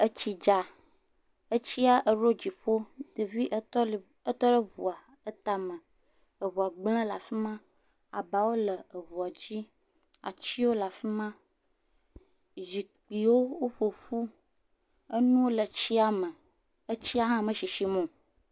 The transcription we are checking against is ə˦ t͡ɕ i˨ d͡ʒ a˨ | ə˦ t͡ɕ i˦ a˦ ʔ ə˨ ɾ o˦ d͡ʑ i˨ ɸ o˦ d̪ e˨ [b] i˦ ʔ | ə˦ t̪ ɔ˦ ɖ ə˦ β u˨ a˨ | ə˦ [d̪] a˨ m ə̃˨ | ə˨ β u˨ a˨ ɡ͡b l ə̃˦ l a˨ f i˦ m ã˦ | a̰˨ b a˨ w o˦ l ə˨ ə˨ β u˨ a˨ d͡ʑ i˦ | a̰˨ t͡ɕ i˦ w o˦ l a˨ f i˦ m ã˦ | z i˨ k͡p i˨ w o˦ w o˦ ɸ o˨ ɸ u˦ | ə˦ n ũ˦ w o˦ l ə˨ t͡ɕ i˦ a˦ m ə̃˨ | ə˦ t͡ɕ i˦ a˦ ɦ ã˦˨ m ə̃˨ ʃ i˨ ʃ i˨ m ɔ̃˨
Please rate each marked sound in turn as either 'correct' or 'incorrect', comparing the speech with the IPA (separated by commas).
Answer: incorrect, incorrect